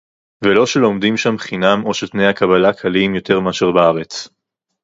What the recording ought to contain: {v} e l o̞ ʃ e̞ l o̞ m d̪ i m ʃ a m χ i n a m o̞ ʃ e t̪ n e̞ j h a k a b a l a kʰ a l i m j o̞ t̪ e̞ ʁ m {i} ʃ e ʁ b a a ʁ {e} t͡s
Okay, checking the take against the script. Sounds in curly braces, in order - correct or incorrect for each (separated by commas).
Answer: correct, incorrect, correct